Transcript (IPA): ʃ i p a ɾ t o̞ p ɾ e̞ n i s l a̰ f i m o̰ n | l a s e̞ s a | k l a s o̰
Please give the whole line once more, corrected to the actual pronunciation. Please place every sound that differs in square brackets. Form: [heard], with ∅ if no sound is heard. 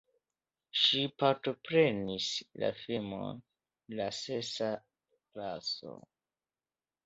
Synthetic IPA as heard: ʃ i p a ɾ t o̞ p ɾ e̞ n i s l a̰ f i m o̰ n | l a s e̞ s a | k l a s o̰